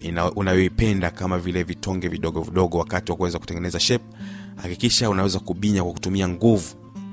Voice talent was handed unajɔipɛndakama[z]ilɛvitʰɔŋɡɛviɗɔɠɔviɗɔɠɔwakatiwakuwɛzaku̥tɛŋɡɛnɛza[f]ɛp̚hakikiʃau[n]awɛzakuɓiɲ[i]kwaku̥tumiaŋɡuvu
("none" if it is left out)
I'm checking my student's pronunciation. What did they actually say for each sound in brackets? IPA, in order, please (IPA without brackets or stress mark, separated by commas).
v, ʃ, n, a